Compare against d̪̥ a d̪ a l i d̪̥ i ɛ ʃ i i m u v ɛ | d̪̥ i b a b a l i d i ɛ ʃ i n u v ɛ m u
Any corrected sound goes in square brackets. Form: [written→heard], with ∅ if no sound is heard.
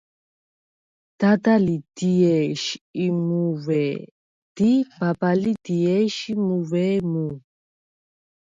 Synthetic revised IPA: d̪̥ a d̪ a l i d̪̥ i ɛ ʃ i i m u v ɛ | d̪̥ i b a b a l i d i ɛ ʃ i [n→m] u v ɛ m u